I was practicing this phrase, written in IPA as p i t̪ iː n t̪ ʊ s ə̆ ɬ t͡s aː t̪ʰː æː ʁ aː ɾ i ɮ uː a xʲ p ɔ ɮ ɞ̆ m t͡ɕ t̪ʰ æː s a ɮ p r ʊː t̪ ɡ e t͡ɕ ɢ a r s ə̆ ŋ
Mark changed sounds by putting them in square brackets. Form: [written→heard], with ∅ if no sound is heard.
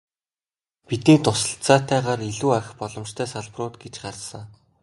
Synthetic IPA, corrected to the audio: p i t̪ iː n t̪ ʊ s ə̆ ɬ t͡s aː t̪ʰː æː ʁ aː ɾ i ɮ uː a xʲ p ɔ ɮ ɞ̆ m t͡ɕ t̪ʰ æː s a ɮ p r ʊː t̪ ɡ e t͡ɕ ɢ a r s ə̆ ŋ